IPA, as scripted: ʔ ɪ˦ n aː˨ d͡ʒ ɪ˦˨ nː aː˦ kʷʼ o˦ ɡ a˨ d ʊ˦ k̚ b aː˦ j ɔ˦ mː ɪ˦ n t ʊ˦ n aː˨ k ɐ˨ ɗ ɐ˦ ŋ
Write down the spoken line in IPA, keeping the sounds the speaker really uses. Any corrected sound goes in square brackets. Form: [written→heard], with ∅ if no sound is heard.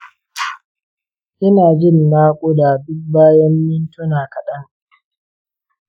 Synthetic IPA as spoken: ʔ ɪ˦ n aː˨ d͡ʒ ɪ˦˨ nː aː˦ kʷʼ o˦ [ɡ→d] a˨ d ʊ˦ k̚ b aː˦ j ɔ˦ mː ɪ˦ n t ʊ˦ n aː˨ k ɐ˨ ɗ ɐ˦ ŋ